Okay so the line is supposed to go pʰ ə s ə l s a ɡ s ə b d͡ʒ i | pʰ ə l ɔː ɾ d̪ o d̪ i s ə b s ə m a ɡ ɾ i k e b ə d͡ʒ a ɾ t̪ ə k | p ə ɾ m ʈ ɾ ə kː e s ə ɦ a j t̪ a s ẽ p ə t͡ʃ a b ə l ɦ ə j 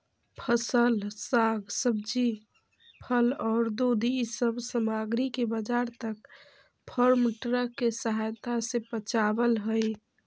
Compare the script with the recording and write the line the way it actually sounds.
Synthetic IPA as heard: pʰ ə s ə l s a ɡ s ə b d͡ʒ i | pʰ ə l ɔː ɾ d̪ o d̪ i s ə b s ə m a ɡ ɾ i k e b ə d͡ʒ a ɾ t̪ ə k | pʰ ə ɾ m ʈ ɾ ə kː e s ə ɦ a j t̪ a s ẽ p ə t͡ʃ a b ə l ɦ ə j